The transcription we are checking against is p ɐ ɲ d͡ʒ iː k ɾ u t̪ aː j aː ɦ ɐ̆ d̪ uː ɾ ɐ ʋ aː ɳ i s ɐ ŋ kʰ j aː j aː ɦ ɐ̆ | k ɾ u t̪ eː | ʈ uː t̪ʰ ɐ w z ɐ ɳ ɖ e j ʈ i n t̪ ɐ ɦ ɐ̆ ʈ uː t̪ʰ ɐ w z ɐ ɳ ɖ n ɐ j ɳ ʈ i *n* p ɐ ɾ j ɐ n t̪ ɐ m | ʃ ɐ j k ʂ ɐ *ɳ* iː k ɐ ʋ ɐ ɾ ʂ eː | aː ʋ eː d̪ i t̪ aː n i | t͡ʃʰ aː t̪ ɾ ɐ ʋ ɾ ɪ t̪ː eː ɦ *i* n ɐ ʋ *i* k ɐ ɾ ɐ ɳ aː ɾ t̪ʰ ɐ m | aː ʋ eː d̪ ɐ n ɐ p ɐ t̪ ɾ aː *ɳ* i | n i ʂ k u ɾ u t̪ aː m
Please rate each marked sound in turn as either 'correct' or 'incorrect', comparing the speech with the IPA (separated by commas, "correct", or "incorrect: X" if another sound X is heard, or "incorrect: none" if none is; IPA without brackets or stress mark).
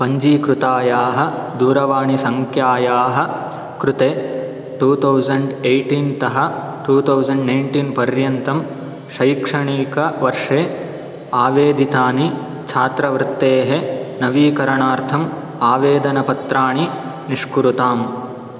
correct, correct, incorrect: e, incorrect: iː, correct